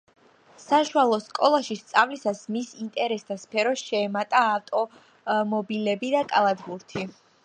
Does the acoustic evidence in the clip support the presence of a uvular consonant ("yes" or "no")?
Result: no